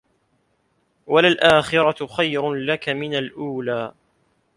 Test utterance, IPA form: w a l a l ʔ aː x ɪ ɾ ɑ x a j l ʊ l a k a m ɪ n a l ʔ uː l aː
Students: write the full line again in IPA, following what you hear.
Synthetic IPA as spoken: w a l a l ʔ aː x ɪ ɾ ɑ x a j ɾ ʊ l a k a m ɪ n a l ʔ uː l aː